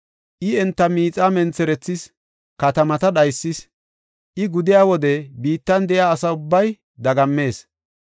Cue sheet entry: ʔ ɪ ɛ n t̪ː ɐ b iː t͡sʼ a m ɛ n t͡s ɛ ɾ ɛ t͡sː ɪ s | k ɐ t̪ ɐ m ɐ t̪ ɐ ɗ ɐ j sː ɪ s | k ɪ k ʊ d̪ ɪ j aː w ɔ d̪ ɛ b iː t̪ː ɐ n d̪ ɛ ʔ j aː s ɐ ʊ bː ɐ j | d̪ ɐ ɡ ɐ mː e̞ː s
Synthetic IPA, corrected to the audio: ʔ ɪ ɛ n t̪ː ɐ m iː t͡sʼ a m ɛ n t͡s ɛ ɾ ɛ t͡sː ɪ s | k ɐ t̪ ɐ m ɐ t̪ ɐ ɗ ɐ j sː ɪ s | ʔ ɪ ɡ ʊ d̪ ɪ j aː w ɔ d̪ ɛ b iː t̪ː ɐ n d̪ ɛ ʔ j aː s ɐ ʊ bː ɐ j | d̪ ɐ ɡ ɐ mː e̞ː s